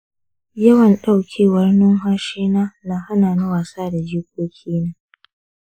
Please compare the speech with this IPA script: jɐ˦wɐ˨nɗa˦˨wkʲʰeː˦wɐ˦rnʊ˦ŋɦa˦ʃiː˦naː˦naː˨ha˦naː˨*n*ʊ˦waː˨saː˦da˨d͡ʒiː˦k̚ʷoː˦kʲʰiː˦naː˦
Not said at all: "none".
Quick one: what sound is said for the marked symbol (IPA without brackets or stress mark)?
n